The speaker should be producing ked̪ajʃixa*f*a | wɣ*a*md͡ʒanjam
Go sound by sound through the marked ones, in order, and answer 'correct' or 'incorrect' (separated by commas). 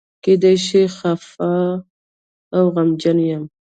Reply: correct, correct